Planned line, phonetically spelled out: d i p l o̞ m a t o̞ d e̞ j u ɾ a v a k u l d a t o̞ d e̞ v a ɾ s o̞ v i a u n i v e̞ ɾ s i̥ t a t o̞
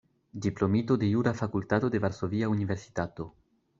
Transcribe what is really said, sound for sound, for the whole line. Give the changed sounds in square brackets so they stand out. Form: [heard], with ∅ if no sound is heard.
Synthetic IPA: d i p l o̞ m [i] t o̞ d e̞ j u ɾ a [f] a k u l [t] a t o̞ d e̞ v a ɾ s o̞ v i a u n i v e̞ ɾ s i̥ t a t o̞